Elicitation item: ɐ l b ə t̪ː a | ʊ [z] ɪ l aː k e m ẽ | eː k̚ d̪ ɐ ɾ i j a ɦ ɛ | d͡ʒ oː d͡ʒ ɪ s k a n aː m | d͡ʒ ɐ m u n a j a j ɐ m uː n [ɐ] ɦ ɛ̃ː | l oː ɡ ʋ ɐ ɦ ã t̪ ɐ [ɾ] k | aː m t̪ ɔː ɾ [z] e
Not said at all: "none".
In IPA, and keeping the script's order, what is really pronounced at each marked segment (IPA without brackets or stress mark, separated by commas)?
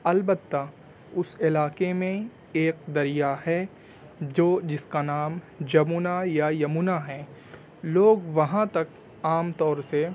s, a, none, s